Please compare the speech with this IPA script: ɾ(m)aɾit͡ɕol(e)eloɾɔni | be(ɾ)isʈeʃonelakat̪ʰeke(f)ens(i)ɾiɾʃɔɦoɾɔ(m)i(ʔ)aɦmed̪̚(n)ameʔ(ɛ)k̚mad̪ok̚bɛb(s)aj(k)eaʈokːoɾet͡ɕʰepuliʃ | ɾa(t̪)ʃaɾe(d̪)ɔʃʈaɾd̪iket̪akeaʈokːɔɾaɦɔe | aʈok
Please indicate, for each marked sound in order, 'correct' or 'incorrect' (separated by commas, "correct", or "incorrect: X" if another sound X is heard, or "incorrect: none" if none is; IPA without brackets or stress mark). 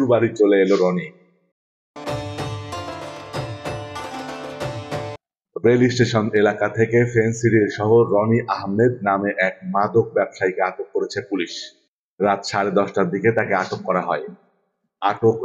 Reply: incorrect: b, correct, incorrect: l, correct, correct, incorrect: n, correct, correct, correct, incorrect: ʃ, correct, correct, correct